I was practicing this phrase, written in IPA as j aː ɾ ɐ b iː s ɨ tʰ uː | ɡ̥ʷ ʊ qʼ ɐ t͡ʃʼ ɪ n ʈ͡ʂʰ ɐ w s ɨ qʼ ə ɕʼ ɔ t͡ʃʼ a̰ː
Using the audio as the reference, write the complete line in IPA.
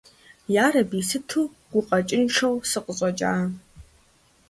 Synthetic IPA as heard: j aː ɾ ɐ b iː s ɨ tʰ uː | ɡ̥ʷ ʊ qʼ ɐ t͡ʃʼ ɪ n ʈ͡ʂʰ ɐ w s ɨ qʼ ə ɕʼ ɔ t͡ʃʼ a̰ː